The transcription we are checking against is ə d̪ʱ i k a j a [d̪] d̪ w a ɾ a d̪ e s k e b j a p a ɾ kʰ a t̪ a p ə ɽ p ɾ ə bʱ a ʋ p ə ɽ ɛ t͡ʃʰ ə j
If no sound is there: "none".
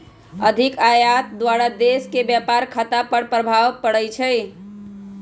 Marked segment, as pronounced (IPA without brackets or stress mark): t̪